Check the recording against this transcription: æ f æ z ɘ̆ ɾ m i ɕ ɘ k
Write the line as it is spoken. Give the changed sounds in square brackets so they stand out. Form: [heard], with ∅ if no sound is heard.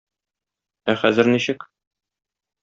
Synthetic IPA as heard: æ [χ] æ z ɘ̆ ɾ [n] i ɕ ɘ k